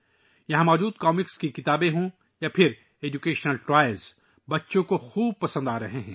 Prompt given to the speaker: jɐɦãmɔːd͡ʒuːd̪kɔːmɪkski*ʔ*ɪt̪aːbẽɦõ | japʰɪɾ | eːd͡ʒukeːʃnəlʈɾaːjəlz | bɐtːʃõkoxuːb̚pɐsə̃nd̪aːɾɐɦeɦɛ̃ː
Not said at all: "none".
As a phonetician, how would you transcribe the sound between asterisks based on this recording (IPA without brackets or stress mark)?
k